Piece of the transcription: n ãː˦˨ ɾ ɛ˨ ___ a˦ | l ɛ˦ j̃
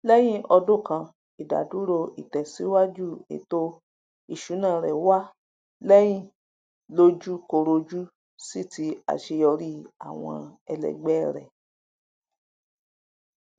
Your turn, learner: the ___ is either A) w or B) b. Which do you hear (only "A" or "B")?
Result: A